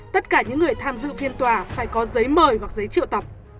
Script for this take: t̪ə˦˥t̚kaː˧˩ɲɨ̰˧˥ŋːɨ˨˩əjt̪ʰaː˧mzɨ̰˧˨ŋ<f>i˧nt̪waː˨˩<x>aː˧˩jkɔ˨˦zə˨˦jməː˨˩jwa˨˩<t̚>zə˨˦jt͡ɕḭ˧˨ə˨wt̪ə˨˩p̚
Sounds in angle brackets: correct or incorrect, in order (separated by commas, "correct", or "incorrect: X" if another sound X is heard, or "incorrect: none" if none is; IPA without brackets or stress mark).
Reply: correct, incorrect: f, incorrect: k̚